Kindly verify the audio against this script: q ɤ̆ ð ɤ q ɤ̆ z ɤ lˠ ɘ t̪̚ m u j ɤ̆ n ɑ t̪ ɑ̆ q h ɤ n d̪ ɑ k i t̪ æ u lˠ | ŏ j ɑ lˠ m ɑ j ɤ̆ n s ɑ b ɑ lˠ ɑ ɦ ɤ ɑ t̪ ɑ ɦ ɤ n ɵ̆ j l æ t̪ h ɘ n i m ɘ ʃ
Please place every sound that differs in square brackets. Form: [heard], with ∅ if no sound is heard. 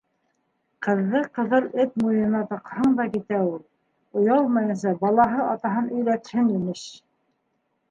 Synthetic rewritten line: q ɤ̆ [ðː] ɤ q ɤ̆ [ð] ɤ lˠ ɘ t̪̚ m u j ɤ̆ n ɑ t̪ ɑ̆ q h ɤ [ɴ] d̪ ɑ k i t̪ æ u lˠ | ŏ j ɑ lˠ m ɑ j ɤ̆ n s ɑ b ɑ lˠ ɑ ɦ ɤ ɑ t̪ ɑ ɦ ɤ n ɵ̆ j l æ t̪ h ɘ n i m ɘ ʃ